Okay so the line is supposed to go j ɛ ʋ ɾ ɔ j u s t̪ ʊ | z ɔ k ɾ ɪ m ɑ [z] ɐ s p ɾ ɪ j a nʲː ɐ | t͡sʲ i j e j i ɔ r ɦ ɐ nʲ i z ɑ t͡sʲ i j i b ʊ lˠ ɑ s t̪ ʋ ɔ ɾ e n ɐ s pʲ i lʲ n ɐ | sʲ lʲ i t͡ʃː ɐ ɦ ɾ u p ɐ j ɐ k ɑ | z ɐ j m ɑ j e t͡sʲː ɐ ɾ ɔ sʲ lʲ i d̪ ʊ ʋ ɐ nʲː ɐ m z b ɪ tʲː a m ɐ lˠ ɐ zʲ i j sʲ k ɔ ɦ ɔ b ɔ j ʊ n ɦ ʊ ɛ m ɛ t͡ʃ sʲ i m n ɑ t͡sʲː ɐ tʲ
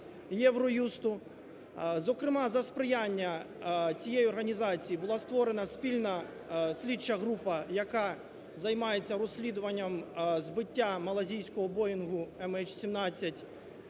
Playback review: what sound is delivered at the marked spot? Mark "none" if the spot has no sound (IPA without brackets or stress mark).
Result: z